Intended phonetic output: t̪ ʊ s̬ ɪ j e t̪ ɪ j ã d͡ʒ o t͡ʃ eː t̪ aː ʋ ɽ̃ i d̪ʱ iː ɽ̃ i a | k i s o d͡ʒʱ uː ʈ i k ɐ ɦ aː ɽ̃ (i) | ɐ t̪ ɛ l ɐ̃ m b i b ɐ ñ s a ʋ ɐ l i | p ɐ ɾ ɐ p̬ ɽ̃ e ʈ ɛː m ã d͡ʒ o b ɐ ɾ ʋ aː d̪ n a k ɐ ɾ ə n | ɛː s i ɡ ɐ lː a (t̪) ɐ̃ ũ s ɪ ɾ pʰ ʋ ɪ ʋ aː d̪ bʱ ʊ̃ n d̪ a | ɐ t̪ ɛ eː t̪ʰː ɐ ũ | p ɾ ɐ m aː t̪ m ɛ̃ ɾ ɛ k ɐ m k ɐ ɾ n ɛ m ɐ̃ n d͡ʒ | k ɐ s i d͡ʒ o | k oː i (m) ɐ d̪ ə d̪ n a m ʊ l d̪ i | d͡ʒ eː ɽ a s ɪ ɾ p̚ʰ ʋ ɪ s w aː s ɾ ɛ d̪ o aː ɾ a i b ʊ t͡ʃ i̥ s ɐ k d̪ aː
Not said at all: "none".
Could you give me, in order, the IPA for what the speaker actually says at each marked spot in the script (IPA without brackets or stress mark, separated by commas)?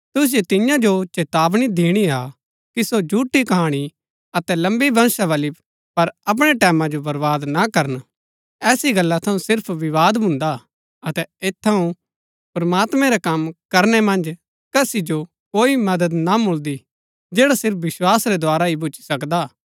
i, t̪ʰ, m